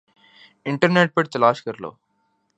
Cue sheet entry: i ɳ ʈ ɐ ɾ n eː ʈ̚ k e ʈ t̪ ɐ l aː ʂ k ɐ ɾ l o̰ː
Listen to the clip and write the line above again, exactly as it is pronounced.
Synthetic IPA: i ɳ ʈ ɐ ɾ n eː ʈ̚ p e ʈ t̪ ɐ l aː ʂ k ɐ ɾ l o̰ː